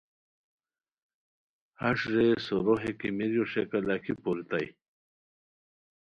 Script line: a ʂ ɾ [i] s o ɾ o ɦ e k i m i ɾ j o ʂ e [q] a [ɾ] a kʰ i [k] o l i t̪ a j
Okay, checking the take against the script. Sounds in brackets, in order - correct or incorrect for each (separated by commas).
incorrect, incorrect, incorrect, incorrect